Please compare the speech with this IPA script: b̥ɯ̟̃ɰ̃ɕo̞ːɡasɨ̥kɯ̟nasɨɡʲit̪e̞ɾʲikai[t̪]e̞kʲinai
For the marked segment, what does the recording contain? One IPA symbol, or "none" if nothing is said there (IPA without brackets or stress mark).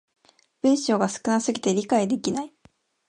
d̪